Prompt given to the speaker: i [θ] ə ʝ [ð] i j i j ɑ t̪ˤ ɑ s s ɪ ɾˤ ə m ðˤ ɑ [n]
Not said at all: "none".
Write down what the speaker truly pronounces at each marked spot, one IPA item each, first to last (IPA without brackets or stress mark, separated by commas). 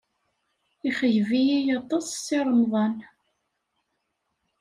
χ, v, n